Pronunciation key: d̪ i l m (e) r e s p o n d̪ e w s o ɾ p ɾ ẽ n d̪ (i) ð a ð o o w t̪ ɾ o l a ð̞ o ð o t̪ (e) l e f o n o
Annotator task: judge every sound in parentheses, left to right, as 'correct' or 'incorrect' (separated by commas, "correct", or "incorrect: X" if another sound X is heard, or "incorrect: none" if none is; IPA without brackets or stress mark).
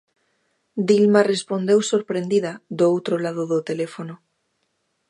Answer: incorrect: a, correct, correct